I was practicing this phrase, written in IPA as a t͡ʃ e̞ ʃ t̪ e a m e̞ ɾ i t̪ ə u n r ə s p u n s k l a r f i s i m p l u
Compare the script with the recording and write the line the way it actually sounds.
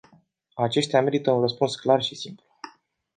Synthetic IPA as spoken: a t͡ʃ e̞ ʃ t̪ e a m e̞ ɾ i t̪ ə u n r ə s p u n s k l a r ʃ i s i m p l u